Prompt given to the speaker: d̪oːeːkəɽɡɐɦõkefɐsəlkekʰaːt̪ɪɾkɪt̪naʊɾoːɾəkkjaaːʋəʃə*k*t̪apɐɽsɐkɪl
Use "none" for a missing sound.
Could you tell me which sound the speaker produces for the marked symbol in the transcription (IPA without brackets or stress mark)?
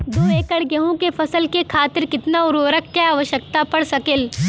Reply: k